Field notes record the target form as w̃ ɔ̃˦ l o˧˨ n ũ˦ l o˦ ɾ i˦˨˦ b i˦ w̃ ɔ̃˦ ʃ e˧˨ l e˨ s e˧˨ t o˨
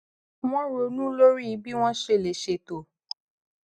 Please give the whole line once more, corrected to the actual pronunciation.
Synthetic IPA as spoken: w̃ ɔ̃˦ ɾ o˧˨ n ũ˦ l o˦ ɾ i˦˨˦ b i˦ w̃ ɔ̃˦ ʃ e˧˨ l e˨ ʃ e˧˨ t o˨